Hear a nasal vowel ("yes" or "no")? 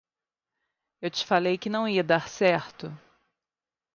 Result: yes